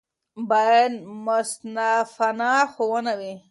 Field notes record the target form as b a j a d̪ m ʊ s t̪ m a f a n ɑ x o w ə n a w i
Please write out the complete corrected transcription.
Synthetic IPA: b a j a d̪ m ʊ s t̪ n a f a n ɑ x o w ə n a w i

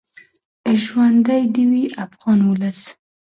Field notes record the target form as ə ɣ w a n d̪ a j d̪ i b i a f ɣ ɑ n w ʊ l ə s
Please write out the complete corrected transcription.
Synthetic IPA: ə ʒ w a n d̪ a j d̪ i w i a f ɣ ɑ n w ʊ l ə s

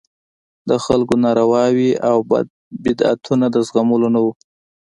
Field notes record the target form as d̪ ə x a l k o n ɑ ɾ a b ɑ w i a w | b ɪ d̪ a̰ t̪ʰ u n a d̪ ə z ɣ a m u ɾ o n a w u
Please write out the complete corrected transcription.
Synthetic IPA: d̪ ə x a l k o n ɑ ɾ a w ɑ w i a w | b ɪ d̪ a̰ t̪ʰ u n a d̪ ə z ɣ a m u l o n a w u

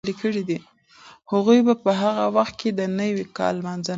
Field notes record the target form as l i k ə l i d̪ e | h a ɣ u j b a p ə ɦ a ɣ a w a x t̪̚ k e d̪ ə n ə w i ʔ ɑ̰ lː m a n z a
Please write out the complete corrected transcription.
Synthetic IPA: l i k ə ɽ i d̪ i | h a ɣ u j b a p ə ɦ a ɣ a w a x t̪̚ k e d̪ ə n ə w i k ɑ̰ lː m a n z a

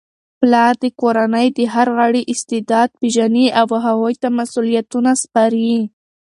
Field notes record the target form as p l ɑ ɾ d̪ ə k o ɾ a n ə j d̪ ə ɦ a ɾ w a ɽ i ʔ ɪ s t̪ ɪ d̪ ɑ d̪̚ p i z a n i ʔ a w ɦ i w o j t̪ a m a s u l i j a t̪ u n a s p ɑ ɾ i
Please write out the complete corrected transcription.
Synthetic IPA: p l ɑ ɾ d̪ ə k o ɾ a n ə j d̪ ə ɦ a ɾ ɣ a ɽ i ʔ ɪ s t̪ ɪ d̪ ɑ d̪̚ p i ʒ a n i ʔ a w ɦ a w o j t̪ a m a s u l i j a t̪ u n a s p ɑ ɾ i

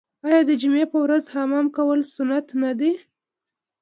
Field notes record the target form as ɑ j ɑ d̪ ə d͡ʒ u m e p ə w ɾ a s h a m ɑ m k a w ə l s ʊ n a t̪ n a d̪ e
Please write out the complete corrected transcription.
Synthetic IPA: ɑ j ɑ d̪ ə d͡ʒ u m e p ə w ɾ a z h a m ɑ m k a w ə l s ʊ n a t̪ n a d̪ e

